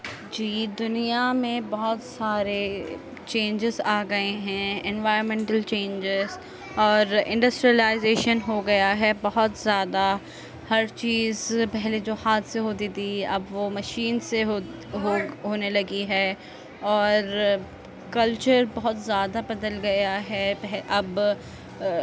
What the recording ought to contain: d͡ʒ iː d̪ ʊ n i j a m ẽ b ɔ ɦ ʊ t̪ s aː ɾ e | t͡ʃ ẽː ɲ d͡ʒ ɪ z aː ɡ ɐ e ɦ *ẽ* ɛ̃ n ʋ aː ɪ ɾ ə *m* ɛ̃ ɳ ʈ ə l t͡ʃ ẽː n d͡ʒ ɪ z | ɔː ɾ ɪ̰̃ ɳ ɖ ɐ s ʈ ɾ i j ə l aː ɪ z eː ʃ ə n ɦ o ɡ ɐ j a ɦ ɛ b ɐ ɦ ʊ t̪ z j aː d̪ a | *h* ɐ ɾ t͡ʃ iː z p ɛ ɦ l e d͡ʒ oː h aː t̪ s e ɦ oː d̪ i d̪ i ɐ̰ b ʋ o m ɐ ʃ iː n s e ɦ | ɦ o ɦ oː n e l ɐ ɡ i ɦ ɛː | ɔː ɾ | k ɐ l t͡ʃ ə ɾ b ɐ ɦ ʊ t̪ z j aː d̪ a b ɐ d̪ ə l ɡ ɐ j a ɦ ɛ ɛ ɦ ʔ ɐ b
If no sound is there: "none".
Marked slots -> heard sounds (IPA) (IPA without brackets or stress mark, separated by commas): ɛ̃, m, h